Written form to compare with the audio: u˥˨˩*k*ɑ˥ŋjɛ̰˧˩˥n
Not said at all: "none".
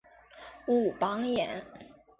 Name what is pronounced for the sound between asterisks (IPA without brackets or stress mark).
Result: p